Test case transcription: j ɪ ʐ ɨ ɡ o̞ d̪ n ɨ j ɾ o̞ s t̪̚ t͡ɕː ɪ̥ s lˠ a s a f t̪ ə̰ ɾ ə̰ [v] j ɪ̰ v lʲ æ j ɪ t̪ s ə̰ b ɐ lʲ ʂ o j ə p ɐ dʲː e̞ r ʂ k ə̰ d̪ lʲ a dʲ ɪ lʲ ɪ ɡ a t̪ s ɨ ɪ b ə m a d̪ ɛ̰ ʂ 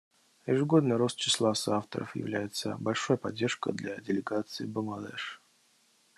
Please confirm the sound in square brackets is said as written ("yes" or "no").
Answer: no